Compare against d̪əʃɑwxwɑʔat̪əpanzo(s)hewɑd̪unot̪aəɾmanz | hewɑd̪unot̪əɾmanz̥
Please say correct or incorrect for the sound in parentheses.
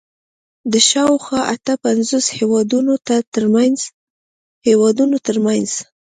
correct